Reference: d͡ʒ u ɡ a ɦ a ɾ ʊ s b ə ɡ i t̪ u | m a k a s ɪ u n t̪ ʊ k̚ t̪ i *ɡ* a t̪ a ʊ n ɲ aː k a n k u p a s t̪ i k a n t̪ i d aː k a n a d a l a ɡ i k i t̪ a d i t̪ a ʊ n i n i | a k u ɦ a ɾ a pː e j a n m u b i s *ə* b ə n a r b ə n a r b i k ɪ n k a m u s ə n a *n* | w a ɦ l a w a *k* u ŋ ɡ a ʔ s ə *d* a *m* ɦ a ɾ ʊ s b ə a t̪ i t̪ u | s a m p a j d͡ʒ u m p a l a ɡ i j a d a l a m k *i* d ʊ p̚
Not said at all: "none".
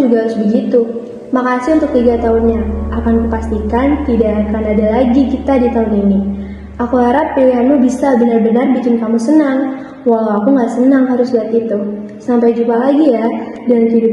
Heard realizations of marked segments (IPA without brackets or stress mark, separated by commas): ɡ, a, ŋ, k, n, ŋ, i